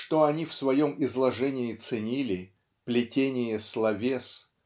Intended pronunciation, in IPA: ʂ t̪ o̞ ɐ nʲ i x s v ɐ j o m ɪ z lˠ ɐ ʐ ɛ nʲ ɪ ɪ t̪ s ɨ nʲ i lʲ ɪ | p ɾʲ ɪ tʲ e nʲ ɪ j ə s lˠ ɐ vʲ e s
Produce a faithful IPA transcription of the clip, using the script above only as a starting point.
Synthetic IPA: ʂ t̪ o̞ ɐ nʲ i f s v ɐ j o m ɪ z lˠ ɐ ʐ ɛ nʲ ɪ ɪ t̪ s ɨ nʲ i lʲ ɪ | p lʲ ɪ tʲ e nʲ ɪ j ə s lˠ ɐ vʲ e s